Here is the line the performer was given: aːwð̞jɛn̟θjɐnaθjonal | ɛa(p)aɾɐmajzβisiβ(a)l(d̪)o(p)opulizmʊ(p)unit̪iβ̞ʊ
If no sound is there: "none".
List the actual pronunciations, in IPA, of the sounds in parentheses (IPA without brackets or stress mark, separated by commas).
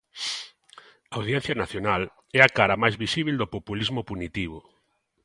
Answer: k, i, d̪, p, p